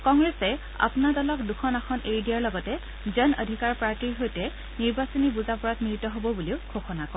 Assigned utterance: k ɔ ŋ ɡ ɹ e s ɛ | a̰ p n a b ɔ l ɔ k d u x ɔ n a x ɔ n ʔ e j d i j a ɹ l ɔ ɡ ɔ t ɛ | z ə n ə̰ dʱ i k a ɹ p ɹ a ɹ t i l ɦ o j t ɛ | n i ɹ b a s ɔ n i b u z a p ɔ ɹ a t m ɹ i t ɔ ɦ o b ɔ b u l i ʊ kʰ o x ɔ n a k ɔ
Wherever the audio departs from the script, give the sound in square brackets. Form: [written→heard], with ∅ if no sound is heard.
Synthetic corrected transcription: k ɔ ŋ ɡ ɹ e s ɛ | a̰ p n a [b→d] ɔ l ɔ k d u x ɔ n a x ɔ n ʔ e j d i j a ɹ l ɔ ɡ ɔ t ɛ | z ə n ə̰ dʱ i k a ɹ p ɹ a ɹ t i [l→ɹ] ɦ o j t ɛ | n i ɹ b a s ɔ n i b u z a p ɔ ɹ a t m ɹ i t ɔ ɦ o b ɔ b u l i ʊ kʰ o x ɔ n a k ɔ

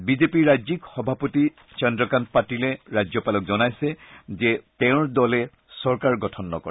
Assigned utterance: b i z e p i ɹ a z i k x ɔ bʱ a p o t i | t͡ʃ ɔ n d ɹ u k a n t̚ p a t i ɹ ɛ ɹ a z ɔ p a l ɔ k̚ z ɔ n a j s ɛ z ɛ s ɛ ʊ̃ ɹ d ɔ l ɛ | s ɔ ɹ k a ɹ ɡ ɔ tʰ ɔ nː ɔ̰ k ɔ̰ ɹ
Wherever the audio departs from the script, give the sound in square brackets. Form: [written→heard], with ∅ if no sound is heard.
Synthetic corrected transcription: b i z e p i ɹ a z i k x ɔ bʱ a p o t i | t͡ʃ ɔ n d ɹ [u→ɔ] k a n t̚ p a t i [ɹ→l] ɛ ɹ a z ɔ p a l ɔ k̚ z ɔ n a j s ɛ z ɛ [s→t] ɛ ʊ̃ ɹ d ɔ l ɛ | s ɔ ɹ k a ɹ ɡ ɔ tʰ ɔ nː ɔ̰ k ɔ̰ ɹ

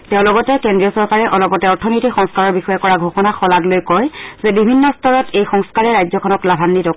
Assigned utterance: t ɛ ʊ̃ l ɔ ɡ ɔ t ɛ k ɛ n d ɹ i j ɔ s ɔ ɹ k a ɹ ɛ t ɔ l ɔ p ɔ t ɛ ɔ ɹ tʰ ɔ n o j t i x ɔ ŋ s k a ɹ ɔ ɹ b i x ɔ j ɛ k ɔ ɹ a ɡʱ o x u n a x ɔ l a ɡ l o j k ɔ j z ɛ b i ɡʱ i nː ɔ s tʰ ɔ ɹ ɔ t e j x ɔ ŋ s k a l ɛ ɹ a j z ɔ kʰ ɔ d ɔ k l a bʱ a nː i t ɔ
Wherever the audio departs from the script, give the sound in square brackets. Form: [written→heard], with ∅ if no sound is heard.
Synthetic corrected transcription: t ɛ ʊ̃ l ɔ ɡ ɔ t ɛ k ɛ n d ɹ i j ɔ s ɔ ɹ k a ɹ ɛ [t→ʔ] ɔ l ɔ p ɔ t ɛ ɔ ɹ tʰ ɔ n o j t i x ɔ ŋ s k a ɹ ɔ ɹ b i x ɔ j ɛ k ɔ ɹ a ɡʱ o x [u→ɔ] n a x ɔ l a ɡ l o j k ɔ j z ɛ b i [ɡʱ→bʱ] i nː ɔ s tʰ ɔ ɹ ɔ t e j x ɔ ŋ s k a [l→ɹ] ɛ ɹ a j z ɔ kʰ ɔ [d→n] ɔ k l a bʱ a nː i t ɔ

